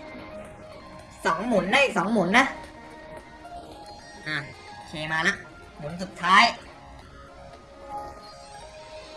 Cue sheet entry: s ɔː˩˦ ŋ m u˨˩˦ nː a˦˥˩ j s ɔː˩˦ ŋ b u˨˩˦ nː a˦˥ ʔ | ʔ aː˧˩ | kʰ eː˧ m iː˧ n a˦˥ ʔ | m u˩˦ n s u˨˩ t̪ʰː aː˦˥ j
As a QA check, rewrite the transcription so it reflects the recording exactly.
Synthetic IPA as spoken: s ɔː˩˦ ŋ m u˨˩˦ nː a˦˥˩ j s ɔː˩˦ ŋ m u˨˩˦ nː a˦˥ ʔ | ʔ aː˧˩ | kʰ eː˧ m aː˧ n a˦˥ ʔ | m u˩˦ n s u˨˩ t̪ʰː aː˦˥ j